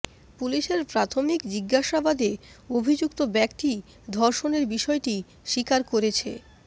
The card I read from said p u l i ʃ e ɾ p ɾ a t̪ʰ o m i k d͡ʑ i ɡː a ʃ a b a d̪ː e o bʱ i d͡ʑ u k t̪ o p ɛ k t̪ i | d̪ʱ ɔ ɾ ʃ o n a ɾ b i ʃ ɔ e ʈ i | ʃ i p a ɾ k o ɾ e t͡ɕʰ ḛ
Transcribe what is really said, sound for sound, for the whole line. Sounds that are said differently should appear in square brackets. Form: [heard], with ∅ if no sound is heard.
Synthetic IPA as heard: p u l i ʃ e ɾ p ɾ a t̪ʰ o m i k d͡ʑ i ɡː a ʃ a b a [d̪] e o bʱ i d͡ʑ u k t̪ o [b] ɛ k t̪ i | d̪ʱ ɔ ɾ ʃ o n [e] ɾ b i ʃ ɔ e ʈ i | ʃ i [k] a ɾ k o ɾ e t͡ɕʰ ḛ

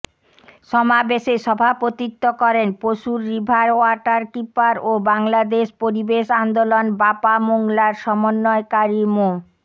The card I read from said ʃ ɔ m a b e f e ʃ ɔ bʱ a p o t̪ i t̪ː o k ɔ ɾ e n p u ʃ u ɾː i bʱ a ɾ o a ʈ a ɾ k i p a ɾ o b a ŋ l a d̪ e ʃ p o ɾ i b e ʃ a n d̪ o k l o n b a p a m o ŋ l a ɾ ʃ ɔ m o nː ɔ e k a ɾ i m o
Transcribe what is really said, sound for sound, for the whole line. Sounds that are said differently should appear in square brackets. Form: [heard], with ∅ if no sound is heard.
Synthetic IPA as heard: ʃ ɔ m a b e [ʃ] e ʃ ɔ bʱ a p o t̪ i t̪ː o k ɔ ɾ e n p [o] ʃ u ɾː i bʱ a ɾ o a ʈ a ɾ k i p a ɾ o b a ŋ l a d̪ e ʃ p o ɾ i b e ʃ a n d̪ o [∅] l o n b a p a m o ŋ l a ɾ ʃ ɔ m o nː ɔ e k a ɾ i m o

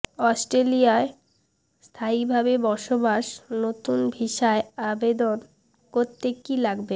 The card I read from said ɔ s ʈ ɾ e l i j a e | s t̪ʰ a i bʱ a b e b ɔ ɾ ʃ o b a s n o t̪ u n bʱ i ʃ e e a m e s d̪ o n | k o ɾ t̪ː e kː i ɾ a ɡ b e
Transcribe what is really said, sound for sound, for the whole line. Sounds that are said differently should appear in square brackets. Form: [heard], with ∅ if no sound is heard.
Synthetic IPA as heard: ɔ s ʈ ɾ e l i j a e | s t̪ʰ a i bʱ a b e b ɔ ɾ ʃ o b a [ʃ] n o t̪ u n bʱ i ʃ [a] e a [b] e [∅] d̪ o n | k o ɾ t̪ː e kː i [l] a ɡ b e

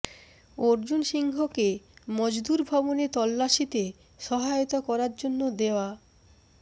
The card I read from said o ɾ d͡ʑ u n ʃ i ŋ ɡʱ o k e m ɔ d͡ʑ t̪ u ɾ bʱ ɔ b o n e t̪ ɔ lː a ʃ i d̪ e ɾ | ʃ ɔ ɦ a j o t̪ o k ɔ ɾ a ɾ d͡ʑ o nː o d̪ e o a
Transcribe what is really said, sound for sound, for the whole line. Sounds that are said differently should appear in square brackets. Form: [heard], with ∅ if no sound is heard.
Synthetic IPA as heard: o ɾ d͡ʑ u n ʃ i ŋ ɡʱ o k e m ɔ d͡ʑ [d̪] u ɾ bʱ ɔ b o n e t̪ ɔ lː a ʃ i [t̪] e [∅] | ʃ ɔ ɦ a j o t̪ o k ɔ ɾ a ɾ d͡ʑ o nː o d̪ e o a

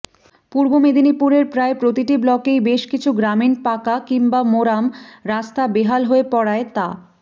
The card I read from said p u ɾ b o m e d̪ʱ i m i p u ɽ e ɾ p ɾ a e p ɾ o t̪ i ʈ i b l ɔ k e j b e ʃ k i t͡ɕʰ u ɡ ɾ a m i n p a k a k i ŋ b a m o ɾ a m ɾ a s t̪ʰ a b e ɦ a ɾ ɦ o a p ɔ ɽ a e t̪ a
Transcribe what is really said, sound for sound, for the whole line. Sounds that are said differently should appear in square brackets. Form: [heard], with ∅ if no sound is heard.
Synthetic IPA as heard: p u ɾ b o m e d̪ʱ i [n] i p u [ɾ] e ɾ p ɾ a e p ɾ o t̪ i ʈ i b l ɔ k e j b e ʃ k i t͡ɕʰ u ɡ ɾ a m i n p a k a k i ŋ b a m o ɾ a m ɾ a s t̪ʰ a b e ɦ a [l] ɦ o [e] p ɔ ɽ a e t̪ a

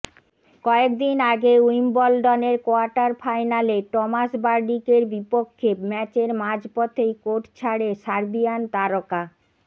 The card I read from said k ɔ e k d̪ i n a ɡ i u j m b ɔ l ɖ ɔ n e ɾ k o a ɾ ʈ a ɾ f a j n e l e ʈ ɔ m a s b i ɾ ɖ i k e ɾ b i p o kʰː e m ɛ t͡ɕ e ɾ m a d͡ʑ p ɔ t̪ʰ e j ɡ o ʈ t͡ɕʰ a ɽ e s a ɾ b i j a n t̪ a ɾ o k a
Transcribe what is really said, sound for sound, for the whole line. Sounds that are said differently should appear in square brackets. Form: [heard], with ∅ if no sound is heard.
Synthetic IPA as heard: k ɔ e k d̪ i n a ɡ [e] u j m b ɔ l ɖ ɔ n e ɾ k o a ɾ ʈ a ɾ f a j n [a] l e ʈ ɔ m a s b [a] ɾ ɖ i k e ɾ b i p o kʰː e m ɛ t͡ɕ e ɾ m a d͡ʑ p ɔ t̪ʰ e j [k] o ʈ t͡ɕʰ a ɽ e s a ɾ b i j a n t̪ a ɾ o k a

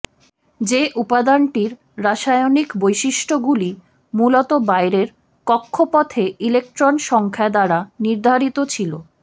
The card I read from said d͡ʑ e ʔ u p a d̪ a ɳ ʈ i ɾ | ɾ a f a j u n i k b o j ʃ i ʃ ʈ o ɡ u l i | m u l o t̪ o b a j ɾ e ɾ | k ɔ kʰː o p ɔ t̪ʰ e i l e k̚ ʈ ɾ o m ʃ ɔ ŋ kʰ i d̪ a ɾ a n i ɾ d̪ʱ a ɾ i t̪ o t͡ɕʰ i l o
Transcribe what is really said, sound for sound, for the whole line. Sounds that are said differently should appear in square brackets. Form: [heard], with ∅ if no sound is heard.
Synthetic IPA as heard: d͡ʑ e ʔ u p a d̪ a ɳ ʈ i ɾ | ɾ a [ʃ] a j [o] n i k b o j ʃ i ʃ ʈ o ɡ u l i | m u l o t̪ o b a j ɾ e ɾ | k ɔ kʰː o p ɔ t̪ʰ e i l e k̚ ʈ ɾ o [n] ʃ ɔ ŋ kʰ [a] d̪ a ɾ a n i ɾ d̪ʱ a ɾ i t̪ o t͡ɕʰ i l o

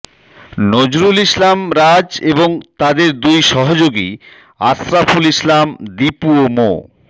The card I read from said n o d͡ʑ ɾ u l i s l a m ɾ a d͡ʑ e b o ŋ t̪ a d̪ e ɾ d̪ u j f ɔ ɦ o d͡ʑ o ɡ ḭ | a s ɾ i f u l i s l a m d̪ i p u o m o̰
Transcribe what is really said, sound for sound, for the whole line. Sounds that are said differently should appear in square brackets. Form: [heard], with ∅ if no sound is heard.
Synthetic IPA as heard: n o d͡ʑ ɾ u l i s l a m ɾ a d͡ʑ e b o ŋ t̪ a d̪ e ɾ d̪ u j [ʃ] ɔ ɦ o d͡ʑ o ɡ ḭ | a s ɾ [a] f u l i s l a m d̪ i p u o m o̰

